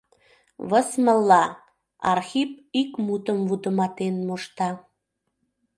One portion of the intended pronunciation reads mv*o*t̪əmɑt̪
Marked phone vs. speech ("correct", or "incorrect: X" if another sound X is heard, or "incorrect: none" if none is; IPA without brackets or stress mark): incorrect: u